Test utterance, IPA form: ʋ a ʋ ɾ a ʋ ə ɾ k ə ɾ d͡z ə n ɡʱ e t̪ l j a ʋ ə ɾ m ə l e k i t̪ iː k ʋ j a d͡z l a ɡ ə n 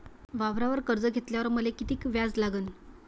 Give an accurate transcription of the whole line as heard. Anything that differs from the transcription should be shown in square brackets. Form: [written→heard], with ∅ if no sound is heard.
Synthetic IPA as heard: ʋ a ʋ ɾ a ʋ ə ɾ k ə ɾ d͡z ə [n→∅] ɡʱ e t̪ l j a ʋ ə ɾ m ə l e k i t̪ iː k ʋ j a d͡z l a ɡ ə n

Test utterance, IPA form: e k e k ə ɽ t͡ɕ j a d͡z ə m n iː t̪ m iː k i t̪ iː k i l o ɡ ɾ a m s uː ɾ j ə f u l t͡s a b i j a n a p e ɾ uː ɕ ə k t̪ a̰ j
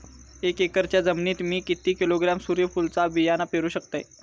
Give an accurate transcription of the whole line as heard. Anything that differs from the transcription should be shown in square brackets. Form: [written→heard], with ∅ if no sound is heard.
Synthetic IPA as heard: e k e k ə [ɽ→ɾ] t͡ɕ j a d͡z ə m n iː t̪ m iː k i t̪ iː k i l o ɡ ɾ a m s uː ɾ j ə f u l t͡s a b i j a n a p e ɾ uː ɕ ə k t̪ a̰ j

